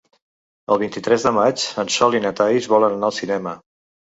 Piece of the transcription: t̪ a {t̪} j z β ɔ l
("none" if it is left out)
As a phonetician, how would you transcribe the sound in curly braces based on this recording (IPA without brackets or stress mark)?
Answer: none